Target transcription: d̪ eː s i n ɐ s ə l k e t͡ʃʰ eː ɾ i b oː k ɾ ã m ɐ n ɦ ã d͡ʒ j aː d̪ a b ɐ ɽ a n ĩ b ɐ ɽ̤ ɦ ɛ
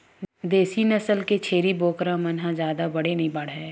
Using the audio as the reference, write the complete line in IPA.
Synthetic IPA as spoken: d̪ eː s i n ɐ s ə l k e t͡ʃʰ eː ɾ i b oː k ɾ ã m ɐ n ɦ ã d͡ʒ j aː d̪ a b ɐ ɽ e n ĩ b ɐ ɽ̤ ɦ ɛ